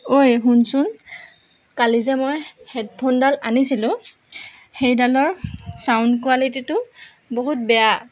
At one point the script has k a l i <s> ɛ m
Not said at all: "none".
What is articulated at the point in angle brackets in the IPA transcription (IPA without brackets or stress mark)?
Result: z